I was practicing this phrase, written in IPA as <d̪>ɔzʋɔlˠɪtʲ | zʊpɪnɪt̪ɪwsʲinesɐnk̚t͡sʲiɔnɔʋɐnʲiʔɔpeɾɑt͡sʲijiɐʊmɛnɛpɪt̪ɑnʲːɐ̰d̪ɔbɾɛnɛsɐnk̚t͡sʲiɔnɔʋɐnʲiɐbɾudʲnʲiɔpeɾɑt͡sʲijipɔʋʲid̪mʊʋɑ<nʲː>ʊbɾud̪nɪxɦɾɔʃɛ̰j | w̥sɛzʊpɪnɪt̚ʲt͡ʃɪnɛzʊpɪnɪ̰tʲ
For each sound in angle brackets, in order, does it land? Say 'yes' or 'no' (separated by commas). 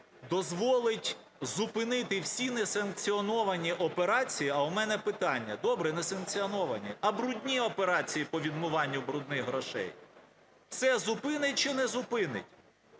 yes, yes